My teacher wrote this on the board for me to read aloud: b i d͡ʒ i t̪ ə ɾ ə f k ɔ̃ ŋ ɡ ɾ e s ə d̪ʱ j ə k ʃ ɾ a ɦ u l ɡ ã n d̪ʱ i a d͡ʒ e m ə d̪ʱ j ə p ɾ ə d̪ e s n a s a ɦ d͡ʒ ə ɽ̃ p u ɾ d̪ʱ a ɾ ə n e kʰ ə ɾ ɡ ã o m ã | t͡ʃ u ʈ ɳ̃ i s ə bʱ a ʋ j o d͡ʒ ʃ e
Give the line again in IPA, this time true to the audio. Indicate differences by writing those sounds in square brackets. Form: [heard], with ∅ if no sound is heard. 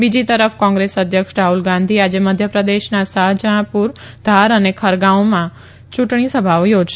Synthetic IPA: b i d͡ʒ i t̪ ə ɾ ə f k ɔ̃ ŋ ɡ ɾ e s ə d̪ʱ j ə k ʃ ɾ a ɦ u l ɡ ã n d̪ʱ i a d͡ʒ e m ə d̪ʱ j ə p ɾ ə d̪ e [ʃ] n a s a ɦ d͡ʒ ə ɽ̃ p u ɾ d̪ʱ a ɾ ə n e kʰ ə ɾ ɡ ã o m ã | t͡ʃ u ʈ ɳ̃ i s ə bʱ a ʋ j o d͡ʒ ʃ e

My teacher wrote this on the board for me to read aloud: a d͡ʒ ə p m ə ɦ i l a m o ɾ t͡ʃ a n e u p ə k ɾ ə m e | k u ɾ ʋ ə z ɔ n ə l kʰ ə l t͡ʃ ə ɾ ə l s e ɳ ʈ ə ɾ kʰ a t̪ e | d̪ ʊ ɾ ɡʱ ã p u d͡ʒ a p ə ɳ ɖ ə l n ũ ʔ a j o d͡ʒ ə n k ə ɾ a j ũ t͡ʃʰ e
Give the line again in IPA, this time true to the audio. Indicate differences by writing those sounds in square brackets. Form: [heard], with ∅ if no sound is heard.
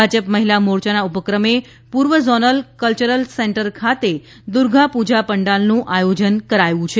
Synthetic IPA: a d͡ʒ ə p m ə ɦ i l a m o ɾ t͡ʃ a n [a] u p ə k ɾ ə m e | [p] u ɾ ʋ ə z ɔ n ə l [k] ə l t͡ʃ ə ɾ ə l s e ɳ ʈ ə ɾ kʰ a t̪ e | d̪ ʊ ɾ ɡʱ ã p u d͡ʒ a p ə ɳ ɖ [a] l n ũ ʔ a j o d͡ʒ ə n k ə ɾ a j ũ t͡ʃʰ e

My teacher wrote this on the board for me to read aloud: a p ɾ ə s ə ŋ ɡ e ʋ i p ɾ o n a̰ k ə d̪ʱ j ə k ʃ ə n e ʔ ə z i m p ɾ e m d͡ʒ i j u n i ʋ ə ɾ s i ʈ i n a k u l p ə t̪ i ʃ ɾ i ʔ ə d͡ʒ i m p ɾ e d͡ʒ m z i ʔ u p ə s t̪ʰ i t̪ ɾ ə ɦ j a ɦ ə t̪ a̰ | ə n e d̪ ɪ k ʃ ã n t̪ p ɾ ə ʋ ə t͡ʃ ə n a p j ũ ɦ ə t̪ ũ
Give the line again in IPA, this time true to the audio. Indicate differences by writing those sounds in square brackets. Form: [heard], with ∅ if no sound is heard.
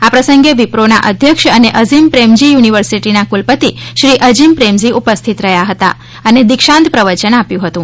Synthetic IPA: a p ɾ ə s ə ŋ ɡ e ʋ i p ɾ o n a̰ [ʔ] ə d̪ʱ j ə k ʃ ə n e ʔ ə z i m p ɾ e m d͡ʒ i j u n i ʋ ə ɾ s i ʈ i n a k u l p ə t̪ i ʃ ɾ i ʔ ə d͡ʒ i m p ɾ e [∅] m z i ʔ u p ə s t̪ʰ i t̪ ɾ ə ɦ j a ɦ ə t̪ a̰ | ə n e d̪ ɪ k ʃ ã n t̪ p ɾ ə ʋ ə t͡ʃ ə n a p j ũ ɦ ə t̪ ũ

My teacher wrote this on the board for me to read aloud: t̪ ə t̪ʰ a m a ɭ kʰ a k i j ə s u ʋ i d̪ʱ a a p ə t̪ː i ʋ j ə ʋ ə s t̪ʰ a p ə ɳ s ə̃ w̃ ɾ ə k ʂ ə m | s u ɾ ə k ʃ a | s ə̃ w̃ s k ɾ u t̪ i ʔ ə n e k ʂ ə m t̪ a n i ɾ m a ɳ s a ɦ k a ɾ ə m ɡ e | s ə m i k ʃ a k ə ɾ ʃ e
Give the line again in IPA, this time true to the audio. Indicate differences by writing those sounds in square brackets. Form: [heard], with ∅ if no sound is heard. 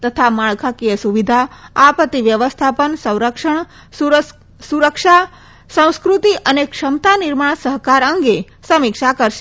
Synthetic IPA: t̪ ə t̪ʰ a m a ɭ kʰ a k i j ə s u ʋ i d̪ʱ a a p ə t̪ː i ʋ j ə ʋ ə s t̪ʰ a p ə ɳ s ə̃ w̃ ɾ ə k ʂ ə [ɳ] | s u ɾ ə k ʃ a | s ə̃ w̃ s k ɾ u t̪ i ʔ ə n e k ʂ ə m t̪ a n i ɾ m a ɳ s [ə] ɦ k a ɾ ə [ŋ] ɡ e | s ə m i k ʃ a k ə ɾ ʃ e

